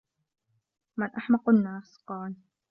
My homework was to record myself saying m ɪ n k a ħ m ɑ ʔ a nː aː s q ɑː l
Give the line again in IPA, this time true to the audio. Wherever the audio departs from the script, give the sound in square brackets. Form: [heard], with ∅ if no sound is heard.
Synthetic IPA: m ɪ n [ʔ] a ħ m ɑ [q] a nː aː s q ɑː l